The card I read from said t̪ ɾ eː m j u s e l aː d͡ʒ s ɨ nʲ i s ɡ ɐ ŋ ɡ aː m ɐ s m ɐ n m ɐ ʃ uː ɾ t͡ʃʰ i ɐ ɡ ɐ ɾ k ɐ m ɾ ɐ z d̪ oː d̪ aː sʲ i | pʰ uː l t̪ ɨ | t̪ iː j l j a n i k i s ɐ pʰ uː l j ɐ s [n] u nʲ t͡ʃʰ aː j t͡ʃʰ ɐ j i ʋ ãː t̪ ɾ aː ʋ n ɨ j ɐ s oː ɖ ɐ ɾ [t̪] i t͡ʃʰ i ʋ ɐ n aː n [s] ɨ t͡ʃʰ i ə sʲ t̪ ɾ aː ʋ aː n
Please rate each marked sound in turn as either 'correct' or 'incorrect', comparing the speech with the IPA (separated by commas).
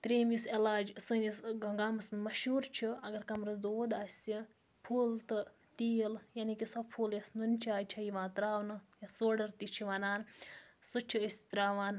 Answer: correct, correct, correct